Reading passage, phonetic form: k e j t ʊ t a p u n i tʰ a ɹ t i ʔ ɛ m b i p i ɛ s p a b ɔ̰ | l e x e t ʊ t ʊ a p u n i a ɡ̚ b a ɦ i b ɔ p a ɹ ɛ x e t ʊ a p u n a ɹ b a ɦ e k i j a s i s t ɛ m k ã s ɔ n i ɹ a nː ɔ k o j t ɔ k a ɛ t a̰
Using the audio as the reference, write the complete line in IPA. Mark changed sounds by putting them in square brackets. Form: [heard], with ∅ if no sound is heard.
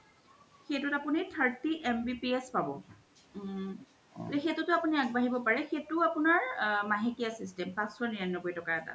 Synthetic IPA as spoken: [x] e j t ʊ t a p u n i tʰ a ɹ t i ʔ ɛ m b i p i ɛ s p a b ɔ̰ | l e x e t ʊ t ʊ a p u n i a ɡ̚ b a ɦ i b ɔ p a ɹ ɛ x e t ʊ a p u n a ɹ [m] a ɦ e k i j a s i s t ɛ m [p] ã s ɔ n i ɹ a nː ɔ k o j t ɔ k a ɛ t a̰